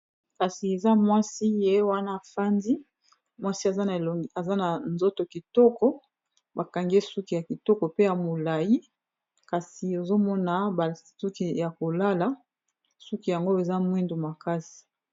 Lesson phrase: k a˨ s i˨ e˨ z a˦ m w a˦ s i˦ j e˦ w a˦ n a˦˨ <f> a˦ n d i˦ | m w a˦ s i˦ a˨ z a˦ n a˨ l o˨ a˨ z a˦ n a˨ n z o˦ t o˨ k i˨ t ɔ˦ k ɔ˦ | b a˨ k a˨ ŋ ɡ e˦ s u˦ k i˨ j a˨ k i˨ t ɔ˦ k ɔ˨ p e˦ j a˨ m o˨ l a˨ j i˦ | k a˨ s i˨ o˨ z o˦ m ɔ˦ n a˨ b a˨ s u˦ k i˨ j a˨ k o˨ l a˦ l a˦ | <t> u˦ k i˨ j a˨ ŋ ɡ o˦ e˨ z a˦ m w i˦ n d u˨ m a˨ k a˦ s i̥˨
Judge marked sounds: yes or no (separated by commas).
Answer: yes, no